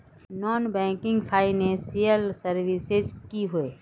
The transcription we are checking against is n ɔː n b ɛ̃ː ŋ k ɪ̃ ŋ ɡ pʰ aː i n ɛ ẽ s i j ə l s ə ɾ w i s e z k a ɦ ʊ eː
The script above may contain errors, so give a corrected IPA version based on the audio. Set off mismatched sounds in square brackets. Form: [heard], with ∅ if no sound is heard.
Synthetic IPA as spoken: n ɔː n b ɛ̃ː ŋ k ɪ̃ ŋ ɡ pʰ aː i n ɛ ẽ s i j ə l s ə ɾ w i s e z k [i] ɦ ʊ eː